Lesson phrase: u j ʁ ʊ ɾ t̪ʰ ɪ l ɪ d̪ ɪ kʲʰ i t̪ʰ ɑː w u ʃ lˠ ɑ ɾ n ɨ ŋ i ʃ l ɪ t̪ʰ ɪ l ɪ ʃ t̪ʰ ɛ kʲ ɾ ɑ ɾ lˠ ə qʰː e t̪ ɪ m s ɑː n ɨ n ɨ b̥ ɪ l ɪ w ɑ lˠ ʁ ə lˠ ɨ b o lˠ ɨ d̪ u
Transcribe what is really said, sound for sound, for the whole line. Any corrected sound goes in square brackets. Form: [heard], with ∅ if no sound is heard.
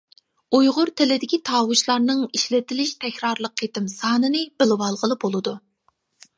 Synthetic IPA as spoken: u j ʁ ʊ ɾ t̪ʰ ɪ l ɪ d̪ ɪ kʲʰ i t̪ʰ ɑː w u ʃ lˠ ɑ ɾ n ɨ ŋ i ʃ l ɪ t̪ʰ ɪ l ɪ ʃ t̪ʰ ɛ kʲ ɾ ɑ ɾ lˠ ə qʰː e t̪ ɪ m s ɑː n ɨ n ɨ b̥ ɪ l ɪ w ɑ lˠ ʁ ə lˠ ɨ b o lˠ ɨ d̪ u